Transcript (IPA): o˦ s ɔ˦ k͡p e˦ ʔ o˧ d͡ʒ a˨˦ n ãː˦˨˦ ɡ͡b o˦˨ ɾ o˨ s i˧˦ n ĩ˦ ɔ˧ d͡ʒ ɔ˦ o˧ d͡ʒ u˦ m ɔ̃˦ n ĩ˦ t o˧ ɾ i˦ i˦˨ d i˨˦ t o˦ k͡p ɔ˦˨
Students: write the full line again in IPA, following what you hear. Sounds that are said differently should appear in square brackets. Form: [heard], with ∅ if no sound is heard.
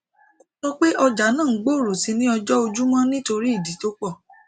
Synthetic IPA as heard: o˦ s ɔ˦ k͡p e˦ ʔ [ɔ˧] d͡ʒ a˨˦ n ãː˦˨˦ ɡ͡b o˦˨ ɾ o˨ s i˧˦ n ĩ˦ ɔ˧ d͡ʒ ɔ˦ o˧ d͡ʒ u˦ m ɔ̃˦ n ĩ˦ t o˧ ɾ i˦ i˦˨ d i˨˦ t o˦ k͡p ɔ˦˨